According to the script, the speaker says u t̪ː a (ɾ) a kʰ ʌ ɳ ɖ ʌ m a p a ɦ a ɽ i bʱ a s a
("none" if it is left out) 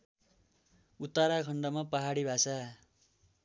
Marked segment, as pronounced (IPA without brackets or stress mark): ɾ